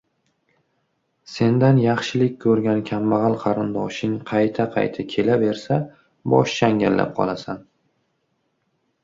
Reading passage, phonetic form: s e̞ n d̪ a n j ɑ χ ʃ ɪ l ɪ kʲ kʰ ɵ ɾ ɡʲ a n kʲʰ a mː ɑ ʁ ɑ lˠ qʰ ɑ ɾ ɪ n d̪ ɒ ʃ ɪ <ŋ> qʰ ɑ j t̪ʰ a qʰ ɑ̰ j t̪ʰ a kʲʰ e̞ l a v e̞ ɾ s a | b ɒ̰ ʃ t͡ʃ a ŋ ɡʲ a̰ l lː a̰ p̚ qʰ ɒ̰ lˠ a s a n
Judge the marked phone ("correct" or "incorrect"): correct